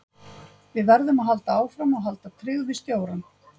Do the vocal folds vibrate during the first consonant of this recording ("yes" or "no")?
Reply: yes